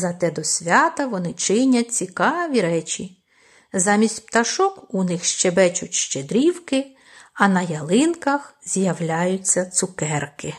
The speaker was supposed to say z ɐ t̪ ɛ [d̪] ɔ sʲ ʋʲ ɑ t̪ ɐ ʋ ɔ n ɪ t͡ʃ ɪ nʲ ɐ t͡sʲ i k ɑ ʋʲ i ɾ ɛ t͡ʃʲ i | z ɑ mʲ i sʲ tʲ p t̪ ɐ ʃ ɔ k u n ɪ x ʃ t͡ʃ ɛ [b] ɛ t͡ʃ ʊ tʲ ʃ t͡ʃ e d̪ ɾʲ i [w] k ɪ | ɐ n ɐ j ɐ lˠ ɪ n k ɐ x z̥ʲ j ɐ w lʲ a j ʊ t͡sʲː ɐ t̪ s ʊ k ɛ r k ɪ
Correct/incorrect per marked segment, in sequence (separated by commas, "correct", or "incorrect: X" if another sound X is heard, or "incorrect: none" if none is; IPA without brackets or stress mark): correct, correct, correct